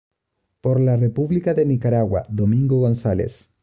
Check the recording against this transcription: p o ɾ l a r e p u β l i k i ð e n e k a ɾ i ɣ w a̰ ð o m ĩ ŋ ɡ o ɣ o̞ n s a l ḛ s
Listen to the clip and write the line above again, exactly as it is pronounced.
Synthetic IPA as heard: p o ɾ l a r e p u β l i k a ð e n i k a ɾ a ɣ w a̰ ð o m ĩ ŋ ɡ o ɣ o̞ n s a l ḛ s

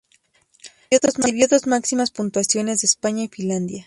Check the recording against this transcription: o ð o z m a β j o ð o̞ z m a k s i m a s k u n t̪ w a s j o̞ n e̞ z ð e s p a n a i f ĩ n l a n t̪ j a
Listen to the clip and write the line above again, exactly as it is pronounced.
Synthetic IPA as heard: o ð o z m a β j o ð o̞ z m a k s i m a s p u n t̪ w a s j o̞ n e̞ z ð e s p a ɲ a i f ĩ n l a n d̪ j a

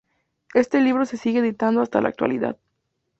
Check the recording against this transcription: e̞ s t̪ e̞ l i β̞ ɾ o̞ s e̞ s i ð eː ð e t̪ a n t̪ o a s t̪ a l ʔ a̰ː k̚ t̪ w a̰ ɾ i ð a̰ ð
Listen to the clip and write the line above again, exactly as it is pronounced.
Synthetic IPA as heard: e̞ s t̪ e̞ l i β̞ ɾ o̞ s e̞ s i ɣ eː ð i t̪ a n d̪ o a s t̪ a l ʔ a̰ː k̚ t̪ w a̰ l i ð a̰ ð

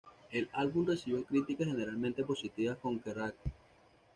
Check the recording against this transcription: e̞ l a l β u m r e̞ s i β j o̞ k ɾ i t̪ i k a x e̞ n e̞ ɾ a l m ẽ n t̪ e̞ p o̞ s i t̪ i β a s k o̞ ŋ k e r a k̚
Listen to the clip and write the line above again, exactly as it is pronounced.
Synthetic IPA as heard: e̞ l a l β u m r e̞ s i β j o̞ k ɾ i t̪ i k a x e̞ n e̞ ɾ a l m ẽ n t̪ e̞ p o̞ s i t̪ i β a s k o̞ ŋ k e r a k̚

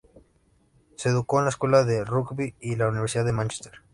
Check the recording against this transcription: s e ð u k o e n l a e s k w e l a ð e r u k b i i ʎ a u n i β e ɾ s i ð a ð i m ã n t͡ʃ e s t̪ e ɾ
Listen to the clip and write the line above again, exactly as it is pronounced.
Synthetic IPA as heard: s e ð u k o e n l a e s k w e l a ð e r u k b i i l a u n i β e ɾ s i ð a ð e m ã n t͡ʃ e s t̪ e ɾ

